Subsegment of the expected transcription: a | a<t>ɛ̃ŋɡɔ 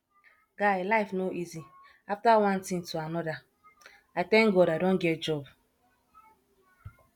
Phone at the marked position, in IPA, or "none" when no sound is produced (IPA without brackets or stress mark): t